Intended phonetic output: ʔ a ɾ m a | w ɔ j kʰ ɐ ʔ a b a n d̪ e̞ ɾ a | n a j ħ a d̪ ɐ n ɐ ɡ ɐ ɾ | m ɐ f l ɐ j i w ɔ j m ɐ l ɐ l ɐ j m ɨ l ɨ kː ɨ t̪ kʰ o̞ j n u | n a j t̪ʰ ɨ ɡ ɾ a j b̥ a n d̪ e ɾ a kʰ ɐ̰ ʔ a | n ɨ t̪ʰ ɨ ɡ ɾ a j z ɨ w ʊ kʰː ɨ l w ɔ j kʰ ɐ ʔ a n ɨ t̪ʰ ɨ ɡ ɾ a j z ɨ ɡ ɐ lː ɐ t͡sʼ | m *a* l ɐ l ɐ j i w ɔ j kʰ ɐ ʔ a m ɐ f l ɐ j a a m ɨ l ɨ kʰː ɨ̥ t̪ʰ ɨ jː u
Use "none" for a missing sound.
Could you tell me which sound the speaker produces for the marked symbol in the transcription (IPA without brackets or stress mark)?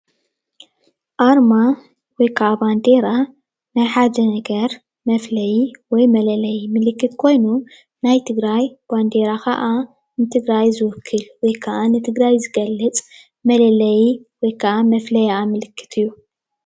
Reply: ɐ